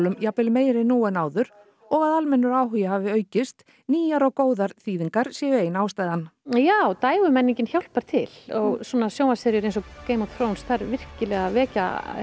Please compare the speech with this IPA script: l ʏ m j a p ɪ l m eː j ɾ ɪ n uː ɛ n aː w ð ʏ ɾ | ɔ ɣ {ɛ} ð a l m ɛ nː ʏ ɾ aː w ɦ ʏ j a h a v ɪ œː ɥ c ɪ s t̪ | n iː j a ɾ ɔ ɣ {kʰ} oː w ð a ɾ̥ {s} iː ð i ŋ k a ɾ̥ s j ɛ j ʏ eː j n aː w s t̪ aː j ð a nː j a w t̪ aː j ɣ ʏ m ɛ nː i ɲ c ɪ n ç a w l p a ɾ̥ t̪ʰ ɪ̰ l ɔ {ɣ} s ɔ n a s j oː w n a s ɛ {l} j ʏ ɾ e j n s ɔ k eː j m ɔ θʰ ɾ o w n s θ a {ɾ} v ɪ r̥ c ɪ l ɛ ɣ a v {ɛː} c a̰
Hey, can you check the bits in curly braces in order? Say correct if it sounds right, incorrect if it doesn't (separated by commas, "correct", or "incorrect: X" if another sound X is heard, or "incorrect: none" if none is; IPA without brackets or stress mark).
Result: incorrect: a, incorrect: k, incorrect: θ, correct, incorrect: ɾ, correct, correct